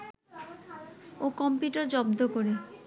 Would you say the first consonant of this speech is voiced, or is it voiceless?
voiceless